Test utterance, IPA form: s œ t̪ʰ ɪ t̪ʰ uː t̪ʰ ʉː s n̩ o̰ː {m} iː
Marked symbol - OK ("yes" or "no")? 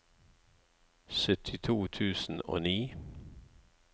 no